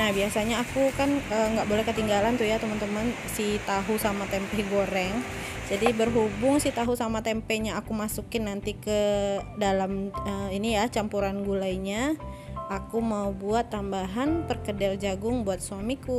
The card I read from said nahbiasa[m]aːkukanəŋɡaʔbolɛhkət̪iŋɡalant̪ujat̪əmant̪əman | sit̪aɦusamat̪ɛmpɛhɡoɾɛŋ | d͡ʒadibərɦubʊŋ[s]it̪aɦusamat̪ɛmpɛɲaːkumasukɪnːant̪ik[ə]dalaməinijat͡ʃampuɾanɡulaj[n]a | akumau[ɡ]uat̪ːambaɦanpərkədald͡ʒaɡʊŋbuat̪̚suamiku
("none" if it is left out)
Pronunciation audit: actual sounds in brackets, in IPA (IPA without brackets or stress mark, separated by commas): ɲ, s, ə, ɲ, b